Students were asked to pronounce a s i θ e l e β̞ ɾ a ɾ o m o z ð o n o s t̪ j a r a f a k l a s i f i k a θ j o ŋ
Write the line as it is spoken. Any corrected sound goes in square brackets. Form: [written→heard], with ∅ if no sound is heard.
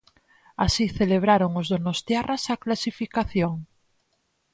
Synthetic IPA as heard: a s i θ e l e β̞ ɾ a ɾ o [m→ŋ] o z ð o n o s t̪ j a r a [f→s] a k l a s i f i k a θ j o ŋ

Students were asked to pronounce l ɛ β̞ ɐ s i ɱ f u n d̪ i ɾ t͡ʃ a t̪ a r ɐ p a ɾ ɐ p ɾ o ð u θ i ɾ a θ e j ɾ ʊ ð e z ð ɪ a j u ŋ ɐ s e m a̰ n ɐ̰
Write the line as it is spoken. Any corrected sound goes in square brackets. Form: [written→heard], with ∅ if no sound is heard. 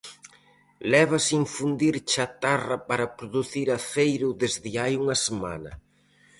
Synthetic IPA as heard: l ɛ β̞ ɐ s i ɱ f u n d̪ i ɾ t͡ʃ a t̪ a r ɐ p a ɾ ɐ p ɾ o ð u θ i ɾ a θ e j ɾ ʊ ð e z ð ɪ a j u ŋ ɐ s e m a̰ n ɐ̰

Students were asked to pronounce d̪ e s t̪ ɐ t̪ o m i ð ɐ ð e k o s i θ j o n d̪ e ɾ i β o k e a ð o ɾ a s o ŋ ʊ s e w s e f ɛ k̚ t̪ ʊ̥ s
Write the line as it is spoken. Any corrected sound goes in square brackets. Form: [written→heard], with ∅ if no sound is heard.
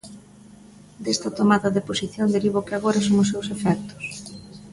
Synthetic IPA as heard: d̪ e s t̪ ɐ t̪ o m [i→a] ð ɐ ð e [k→p] o s i θ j o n d̪ e ɾ i β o k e a [ð→ɣ] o ɾ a s o ŋ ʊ s e w s e f ɛ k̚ t̪ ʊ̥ s

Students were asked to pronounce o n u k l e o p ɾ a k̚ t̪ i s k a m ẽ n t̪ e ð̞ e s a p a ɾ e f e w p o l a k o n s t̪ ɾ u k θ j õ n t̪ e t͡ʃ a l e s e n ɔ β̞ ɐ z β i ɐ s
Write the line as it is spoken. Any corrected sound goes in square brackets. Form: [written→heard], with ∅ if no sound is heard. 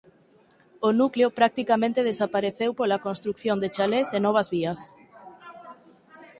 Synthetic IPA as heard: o n u k l e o p ɾ a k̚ t̪ i [s→∅] k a m ẽ n t̪ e ð̞ e s a p a ɾ e [f→θ] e w p o l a k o n s t̪ ɾ u k θ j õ n [t̪→d̪] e t͡ʃ a l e s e n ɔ β̞ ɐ z β i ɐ s

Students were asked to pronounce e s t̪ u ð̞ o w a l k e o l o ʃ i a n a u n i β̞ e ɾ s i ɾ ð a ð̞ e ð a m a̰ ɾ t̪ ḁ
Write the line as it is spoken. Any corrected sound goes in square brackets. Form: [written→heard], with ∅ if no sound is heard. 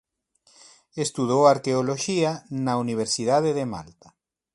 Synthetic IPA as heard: e s t̪ u ð̞ o w a [l→ɾ] k e o l o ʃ i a n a u n i β̞ e ɾ s i [ɾ→∅] ð a ð̞ e ð [a→e] m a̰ [ɾ→l] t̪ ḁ

